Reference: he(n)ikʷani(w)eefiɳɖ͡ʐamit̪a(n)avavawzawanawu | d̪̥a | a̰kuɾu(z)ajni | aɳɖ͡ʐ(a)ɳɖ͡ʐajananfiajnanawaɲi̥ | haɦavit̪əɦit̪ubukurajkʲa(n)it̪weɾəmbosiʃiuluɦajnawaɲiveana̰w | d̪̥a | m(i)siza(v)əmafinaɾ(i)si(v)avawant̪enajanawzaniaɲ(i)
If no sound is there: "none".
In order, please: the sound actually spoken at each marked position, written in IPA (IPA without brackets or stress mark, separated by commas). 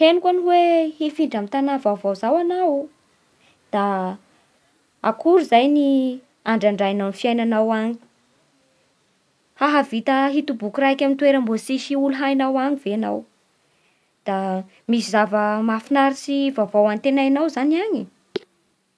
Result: n, w, n, z, a, m, i, v, i, v, i